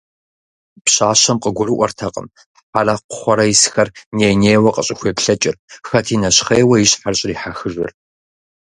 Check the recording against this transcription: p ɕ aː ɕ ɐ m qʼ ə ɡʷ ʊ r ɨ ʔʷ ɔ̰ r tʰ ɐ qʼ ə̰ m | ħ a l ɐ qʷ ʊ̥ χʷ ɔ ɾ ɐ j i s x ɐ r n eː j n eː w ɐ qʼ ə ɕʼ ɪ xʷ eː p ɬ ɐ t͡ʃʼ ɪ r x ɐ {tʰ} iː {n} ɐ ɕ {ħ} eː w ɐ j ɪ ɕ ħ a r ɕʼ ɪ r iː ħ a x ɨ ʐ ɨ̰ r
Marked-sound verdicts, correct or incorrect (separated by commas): correct, correct, incorrect